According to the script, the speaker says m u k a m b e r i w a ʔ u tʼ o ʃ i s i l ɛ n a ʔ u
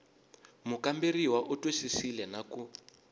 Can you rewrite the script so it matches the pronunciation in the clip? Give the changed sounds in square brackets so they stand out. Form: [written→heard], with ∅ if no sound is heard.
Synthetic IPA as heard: m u k a m b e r i w a ʔ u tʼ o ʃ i s i l ɛ n a [ʔ→k] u